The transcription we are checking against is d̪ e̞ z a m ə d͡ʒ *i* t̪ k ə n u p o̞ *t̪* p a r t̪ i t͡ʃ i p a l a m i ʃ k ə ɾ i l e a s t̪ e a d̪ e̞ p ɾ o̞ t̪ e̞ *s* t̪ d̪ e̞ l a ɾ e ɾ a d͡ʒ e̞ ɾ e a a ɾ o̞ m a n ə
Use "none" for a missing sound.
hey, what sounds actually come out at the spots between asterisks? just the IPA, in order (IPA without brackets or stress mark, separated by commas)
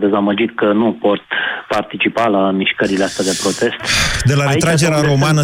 i, t̪, s